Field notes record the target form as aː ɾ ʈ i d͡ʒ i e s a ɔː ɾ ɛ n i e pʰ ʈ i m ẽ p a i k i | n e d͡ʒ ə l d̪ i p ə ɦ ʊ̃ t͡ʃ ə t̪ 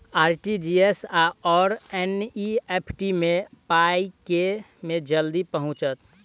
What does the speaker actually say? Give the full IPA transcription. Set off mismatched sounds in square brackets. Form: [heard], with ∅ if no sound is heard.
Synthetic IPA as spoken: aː ɾ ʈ i d͡ʒ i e s a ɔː ɾ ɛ n i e pʰ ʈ i m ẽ p a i k [e] | [m] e d͡ʒ ə l d̪ i p ə ɦ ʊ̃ t͡ʃ ə t̪